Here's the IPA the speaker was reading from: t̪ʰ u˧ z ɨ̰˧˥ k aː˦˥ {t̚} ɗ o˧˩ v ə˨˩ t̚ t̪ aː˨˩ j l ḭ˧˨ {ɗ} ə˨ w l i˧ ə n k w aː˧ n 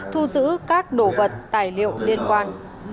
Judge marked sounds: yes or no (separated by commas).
no, no